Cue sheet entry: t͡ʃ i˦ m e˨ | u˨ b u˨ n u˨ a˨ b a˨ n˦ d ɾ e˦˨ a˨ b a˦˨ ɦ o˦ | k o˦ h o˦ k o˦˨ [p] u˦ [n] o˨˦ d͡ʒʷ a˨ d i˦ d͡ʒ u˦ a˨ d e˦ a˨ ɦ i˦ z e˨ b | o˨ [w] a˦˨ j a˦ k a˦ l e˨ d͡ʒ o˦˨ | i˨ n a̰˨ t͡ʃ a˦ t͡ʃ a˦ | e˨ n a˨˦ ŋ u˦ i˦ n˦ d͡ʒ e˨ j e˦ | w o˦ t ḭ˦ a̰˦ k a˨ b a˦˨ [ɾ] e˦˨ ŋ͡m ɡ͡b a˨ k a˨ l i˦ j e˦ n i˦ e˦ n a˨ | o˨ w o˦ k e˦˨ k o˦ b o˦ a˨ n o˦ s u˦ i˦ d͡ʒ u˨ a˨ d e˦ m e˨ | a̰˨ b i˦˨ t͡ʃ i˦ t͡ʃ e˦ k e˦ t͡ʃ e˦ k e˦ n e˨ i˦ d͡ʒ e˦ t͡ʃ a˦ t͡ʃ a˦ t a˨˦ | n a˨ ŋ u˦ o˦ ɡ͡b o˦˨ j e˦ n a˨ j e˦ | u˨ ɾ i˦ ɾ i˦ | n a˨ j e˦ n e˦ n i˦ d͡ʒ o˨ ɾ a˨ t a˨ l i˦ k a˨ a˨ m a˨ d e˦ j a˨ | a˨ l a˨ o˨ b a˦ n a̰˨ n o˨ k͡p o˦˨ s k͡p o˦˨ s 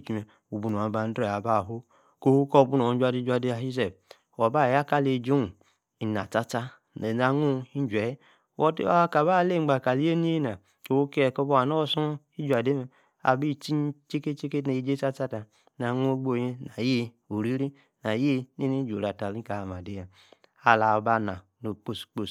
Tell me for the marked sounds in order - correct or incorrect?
incorrect, correct, incorrect, incorrect

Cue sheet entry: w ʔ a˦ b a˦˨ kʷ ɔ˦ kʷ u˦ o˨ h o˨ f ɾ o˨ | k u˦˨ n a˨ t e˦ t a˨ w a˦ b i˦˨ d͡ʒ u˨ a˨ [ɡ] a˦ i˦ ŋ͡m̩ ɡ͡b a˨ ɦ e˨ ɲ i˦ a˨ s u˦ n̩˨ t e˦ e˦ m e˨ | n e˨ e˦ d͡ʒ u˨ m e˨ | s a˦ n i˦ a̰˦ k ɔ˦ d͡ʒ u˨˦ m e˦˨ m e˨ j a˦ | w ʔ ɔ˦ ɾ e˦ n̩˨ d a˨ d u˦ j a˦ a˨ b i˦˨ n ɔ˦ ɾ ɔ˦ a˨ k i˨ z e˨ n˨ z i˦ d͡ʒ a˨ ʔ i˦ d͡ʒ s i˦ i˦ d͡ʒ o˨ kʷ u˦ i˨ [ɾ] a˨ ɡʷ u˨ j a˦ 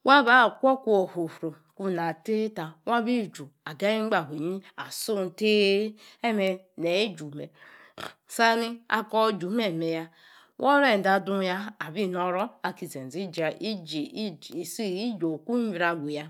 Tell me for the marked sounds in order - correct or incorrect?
correct, correct

